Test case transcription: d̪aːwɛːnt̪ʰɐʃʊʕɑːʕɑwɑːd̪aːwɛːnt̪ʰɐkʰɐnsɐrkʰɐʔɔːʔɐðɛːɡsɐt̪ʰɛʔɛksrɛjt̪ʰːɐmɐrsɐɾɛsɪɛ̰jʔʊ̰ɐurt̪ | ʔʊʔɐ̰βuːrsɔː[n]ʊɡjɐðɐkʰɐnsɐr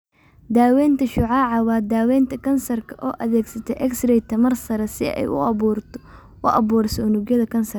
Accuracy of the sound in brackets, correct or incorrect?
correct